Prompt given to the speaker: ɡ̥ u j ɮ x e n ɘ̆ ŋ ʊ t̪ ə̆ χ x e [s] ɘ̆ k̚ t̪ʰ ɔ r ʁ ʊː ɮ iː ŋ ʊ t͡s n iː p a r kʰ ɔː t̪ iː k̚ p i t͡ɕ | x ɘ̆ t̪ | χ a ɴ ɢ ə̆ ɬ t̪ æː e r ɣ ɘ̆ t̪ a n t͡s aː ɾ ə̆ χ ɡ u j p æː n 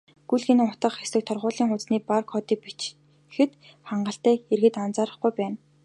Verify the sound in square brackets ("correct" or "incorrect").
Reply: correct